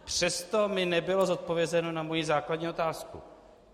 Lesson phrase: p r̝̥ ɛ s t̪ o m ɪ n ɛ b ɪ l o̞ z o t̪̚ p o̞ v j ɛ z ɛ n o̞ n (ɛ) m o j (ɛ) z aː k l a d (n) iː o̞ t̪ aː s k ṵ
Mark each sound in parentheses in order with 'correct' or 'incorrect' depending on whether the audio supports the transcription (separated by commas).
incorrect, incorrect, incorrect